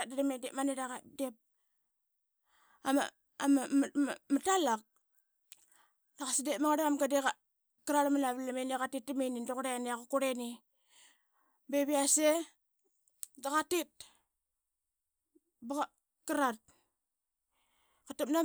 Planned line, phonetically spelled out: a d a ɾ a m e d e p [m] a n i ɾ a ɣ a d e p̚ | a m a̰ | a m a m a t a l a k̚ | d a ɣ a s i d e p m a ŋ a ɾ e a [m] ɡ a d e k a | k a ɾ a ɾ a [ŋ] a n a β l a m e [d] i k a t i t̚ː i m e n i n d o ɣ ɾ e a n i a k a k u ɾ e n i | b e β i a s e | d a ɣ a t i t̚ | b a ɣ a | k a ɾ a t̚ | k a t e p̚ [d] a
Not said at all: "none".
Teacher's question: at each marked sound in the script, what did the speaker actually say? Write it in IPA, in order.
m, m, m, n, n

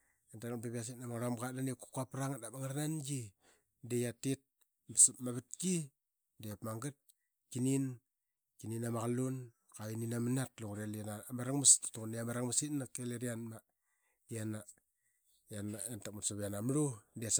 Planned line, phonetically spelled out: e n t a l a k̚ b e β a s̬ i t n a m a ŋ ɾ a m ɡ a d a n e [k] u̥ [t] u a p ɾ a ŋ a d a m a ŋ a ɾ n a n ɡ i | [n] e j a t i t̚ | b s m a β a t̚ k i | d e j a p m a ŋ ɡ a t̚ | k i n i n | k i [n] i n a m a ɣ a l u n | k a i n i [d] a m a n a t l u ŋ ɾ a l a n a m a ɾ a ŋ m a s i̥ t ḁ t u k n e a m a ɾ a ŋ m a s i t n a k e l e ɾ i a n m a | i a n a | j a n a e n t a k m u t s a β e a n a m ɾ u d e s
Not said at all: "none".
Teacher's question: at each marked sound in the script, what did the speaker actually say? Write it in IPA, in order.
k, k, d, n, n

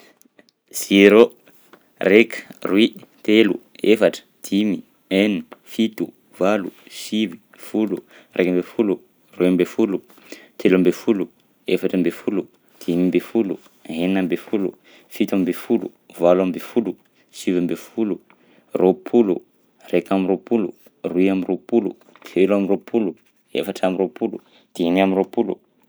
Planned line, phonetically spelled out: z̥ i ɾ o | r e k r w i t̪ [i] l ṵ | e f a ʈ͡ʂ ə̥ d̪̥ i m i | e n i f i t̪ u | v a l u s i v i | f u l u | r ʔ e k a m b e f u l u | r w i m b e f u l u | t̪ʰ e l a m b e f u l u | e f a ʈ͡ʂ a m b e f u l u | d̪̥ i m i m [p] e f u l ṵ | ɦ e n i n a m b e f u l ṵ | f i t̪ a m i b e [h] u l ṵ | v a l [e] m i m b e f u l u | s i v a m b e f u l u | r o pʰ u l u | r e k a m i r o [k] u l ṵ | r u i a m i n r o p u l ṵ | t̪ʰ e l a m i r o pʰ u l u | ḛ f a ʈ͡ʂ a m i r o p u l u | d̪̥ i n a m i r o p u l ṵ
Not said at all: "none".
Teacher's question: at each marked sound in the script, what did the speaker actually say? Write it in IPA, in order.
e, b, f, a, p

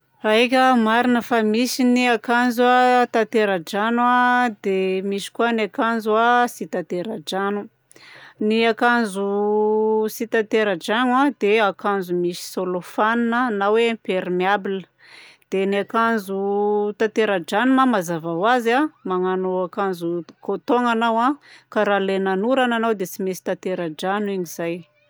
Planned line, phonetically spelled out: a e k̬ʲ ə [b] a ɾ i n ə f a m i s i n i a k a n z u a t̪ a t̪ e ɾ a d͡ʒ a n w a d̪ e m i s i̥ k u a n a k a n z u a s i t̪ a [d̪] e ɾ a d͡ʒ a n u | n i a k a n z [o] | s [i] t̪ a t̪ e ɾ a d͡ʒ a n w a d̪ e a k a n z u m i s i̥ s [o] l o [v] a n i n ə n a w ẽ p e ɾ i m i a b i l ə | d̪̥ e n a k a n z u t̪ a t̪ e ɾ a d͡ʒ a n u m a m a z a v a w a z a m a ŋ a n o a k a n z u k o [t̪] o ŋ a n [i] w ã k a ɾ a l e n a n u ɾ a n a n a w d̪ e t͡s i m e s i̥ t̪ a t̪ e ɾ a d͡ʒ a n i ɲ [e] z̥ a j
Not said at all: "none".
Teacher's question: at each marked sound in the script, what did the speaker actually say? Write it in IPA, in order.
m, t̪, u, i, o, f, t̪, a, i

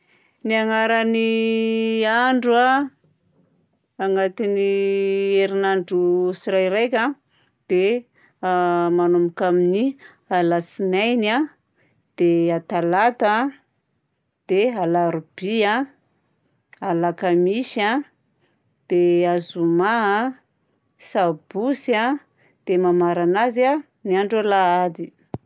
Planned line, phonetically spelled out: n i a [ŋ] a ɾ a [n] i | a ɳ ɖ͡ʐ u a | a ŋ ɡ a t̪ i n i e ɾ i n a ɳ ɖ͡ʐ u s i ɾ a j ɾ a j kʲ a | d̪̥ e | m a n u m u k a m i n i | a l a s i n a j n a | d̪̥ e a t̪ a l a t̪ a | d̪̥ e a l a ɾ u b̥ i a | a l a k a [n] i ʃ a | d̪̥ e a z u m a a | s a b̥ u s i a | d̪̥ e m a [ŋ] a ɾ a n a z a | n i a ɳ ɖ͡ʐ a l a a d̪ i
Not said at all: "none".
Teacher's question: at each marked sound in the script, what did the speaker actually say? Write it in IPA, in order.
ŋ, n, m, m

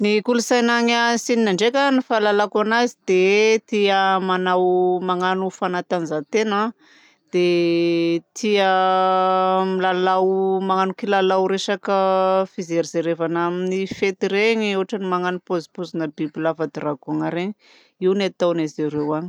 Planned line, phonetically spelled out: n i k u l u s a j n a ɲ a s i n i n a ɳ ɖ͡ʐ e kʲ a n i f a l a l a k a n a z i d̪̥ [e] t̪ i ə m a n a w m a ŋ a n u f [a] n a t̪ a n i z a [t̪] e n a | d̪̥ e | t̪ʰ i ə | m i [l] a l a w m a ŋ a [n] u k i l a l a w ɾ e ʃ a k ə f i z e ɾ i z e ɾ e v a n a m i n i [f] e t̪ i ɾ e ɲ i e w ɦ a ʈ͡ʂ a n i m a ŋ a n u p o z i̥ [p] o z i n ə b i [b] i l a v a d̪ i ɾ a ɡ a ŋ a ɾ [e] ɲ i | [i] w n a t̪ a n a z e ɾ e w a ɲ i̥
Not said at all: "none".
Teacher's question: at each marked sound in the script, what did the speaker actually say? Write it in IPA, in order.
e, a, t̪, l, n, f, p, b, e, i

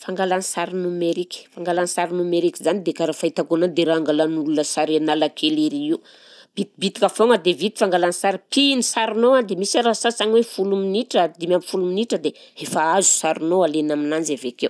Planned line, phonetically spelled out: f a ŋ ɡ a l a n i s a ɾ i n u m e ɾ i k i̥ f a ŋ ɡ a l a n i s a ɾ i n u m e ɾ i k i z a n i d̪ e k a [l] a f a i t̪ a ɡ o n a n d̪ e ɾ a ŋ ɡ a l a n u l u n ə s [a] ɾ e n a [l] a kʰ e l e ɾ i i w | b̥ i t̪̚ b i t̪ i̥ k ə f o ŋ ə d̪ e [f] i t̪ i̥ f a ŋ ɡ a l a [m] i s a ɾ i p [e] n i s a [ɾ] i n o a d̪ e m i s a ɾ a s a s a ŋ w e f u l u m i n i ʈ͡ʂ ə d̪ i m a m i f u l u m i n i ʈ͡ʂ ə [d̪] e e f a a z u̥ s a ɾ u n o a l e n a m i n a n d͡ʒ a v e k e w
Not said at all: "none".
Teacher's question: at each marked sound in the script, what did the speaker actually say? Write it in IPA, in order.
ɾ, a, l, v, n, i, ɾ, d̪

